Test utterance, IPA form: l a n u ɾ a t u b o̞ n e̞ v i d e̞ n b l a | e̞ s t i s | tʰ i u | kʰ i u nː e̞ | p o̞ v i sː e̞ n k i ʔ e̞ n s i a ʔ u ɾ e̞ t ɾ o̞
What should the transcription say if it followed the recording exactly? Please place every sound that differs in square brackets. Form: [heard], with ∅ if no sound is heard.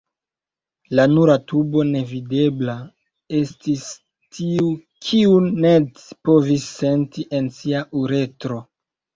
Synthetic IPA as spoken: l a n u ɾ a t u b o̞ n e̞ v i d e̞ [∅] b l a | e̞ s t i s | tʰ i u | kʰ i u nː e̞ | p o̞ v i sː e̞ n [t] i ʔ e̞ n s i a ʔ u ɾ e̞ t ɾ o̞